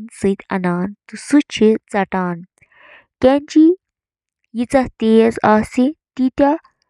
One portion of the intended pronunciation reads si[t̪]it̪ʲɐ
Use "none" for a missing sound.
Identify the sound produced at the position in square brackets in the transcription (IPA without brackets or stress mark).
t̪